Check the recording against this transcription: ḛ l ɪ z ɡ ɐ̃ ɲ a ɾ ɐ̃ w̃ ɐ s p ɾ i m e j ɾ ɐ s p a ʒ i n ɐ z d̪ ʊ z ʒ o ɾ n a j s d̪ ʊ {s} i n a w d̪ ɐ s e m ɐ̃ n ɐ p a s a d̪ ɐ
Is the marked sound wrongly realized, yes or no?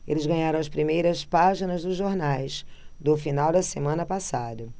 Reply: yes